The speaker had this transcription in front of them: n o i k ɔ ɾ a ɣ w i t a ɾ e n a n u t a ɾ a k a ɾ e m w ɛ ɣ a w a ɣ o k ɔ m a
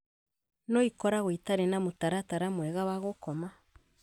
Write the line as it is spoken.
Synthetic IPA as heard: n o i k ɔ ɾ a ɣ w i t a ɾ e n a m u t a ɾ a t a ɾ a m w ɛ ɣ a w a ɣ o k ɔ m a